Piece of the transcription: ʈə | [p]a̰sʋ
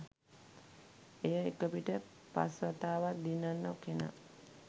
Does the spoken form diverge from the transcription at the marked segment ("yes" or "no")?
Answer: no